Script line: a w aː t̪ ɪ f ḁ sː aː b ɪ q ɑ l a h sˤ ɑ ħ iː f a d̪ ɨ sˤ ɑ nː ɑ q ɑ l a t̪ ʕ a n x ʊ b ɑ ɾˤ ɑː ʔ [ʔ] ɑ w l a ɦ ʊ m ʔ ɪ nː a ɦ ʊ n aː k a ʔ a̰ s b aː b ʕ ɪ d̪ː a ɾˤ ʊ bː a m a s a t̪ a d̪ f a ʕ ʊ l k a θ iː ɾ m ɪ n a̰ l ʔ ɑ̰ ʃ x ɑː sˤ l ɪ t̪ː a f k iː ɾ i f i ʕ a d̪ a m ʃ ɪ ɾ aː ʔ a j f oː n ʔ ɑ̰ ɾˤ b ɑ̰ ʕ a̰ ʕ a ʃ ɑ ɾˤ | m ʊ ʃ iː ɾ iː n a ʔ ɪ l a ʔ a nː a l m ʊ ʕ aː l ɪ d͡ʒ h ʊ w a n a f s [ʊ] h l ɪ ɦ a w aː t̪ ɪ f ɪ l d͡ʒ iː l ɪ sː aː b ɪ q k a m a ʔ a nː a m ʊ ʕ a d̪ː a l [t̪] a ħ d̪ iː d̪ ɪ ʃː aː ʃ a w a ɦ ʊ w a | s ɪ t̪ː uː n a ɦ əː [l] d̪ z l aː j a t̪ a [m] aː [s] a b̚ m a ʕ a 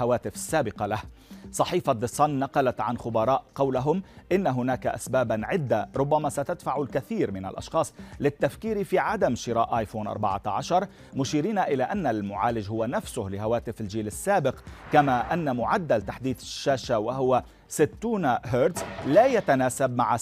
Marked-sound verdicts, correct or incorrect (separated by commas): incorrect, correct, correct, incorrect, incorrect, correct